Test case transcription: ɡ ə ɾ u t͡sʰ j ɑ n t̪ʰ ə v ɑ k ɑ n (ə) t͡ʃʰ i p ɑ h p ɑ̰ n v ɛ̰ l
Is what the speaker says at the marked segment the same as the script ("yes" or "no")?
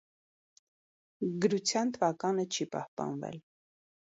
yes